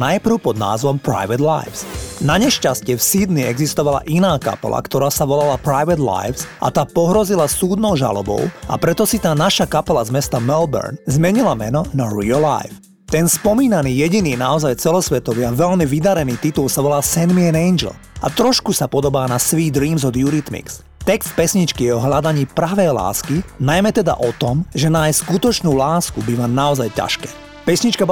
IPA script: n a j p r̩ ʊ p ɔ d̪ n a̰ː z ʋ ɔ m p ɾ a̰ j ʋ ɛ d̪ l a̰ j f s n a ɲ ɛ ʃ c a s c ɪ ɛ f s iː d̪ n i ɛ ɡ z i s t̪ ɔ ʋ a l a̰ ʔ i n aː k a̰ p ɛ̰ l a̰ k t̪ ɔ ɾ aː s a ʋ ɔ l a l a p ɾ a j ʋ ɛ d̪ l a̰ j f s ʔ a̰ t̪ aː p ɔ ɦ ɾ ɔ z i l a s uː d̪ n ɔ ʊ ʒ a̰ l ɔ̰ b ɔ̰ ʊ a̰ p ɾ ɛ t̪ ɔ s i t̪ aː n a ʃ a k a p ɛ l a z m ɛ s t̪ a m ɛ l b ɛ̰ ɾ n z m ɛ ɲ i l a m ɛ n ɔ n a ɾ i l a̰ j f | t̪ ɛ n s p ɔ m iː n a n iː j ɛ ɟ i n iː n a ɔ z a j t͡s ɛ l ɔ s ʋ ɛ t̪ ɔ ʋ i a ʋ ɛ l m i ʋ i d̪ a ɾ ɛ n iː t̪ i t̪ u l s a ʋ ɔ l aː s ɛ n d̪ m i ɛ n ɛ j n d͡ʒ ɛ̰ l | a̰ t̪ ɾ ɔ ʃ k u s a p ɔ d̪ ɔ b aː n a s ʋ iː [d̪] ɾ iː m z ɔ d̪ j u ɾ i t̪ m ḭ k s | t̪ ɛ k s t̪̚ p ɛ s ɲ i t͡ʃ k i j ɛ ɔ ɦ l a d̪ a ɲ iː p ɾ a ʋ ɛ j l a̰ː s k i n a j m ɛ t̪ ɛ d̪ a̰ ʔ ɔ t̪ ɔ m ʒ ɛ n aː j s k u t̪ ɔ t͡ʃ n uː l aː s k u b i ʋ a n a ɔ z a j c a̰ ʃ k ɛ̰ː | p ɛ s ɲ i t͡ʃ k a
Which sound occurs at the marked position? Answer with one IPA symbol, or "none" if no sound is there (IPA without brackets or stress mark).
d̪